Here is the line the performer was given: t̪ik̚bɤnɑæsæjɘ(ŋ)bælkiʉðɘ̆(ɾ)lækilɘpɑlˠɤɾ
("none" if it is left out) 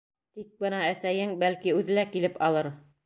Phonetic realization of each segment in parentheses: ŋ, none

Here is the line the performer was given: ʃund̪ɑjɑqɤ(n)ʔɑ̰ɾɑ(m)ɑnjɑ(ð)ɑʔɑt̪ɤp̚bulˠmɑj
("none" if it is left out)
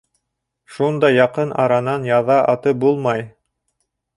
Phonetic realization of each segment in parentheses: n, n, ð

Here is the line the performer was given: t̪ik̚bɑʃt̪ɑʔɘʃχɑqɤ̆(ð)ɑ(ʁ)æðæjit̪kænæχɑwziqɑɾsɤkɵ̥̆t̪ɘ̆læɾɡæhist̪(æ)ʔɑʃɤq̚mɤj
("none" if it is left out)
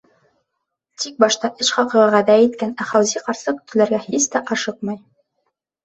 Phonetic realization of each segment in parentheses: ʁ, ʁ, æ

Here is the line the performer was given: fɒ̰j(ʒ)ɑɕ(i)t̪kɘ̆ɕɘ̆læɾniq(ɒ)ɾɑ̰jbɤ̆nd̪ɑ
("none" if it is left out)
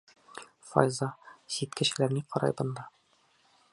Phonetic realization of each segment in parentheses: z, i, ɒ

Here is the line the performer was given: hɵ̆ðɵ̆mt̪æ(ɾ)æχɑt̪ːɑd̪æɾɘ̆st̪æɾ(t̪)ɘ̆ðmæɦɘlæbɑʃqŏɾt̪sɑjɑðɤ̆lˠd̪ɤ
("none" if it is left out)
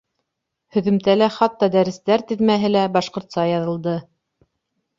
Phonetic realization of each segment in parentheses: l, t̪

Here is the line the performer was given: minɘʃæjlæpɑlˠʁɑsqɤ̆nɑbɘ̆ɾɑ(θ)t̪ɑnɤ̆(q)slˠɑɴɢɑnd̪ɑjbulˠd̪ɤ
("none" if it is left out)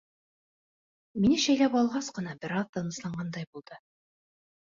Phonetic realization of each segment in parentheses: ð, none

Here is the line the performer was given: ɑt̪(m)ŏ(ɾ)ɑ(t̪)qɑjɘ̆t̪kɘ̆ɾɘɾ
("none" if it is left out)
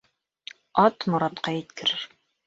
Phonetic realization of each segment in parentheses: m, ɾ, t̪

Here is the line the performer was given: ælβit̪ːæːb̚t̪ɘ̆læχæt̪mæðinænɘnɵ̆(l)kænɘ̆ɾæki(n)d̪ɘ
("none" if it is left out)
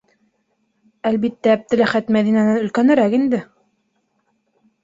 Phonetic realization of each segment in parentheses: l, n

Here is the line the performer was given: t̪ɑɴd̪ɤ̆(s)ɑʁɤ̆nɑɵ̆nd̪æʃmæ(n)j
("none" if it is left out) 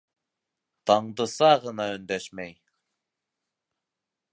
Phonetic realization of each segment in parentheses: s, none

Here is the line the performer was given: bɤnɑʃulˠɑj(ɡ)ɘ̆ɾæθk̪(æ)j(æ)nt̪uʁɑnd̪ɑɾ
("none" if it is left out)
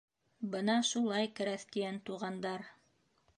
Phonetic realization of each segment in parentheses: k, i, æ

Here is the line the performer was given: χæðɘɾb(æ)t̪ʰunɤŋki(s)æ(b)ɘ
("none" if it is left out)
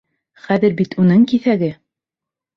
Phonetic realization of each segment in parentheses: i, θ, ɡ

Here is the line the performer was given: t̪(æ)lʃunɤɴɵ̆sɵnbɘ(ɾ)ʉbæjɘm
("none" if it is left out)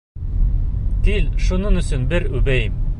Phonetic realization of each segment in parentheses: i, ɾ

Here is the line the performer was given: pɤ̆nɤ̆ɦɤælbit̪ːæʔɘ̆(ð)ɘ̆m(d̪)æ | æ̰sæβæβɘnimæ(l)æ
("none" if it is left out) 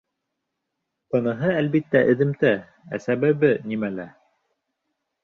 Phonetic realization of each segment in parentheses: ð, t̪, l

